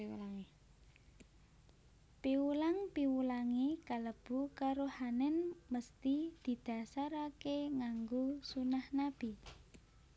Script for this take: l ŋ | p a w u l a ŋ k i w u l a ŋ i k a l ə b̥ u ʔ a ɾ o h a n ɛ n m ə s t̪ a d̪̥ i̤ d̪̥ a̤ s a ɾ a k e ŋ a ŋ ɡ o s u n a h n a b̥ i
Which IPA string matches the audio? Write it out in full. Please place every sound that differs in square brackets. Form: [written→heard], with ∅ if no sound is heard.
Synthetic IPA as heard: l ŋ | p [a→i] w u l a ŋ [k→p] i w u l a ŋ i k a l ə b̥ u [ʔ→k] a ɾ o h a n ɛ n m ə s t̪ [a→i] d̪̥ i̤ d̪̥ a̤ s a ɾ a k e ŋ a ŋ ɡ o s u n a h n a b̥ i